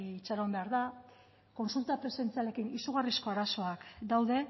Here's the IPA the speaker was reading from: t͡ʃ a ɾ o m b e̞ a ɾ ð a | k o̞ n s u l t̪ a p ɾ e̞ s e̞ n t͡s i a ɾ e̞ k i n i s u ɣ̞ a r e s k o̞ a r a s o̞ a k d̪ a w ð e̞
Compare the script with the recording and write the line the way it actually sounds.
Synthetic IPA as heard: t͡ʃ a ɾ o m b e̞ a ɾ ð a | k o̞ n s u l t̪ a p ɾ e̞ s e̞ n t͡s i a l e̞ k i n i s u ɣ̞ a r i s k o̞ a ɾ a s o̞ a k d̪ a w ð e̞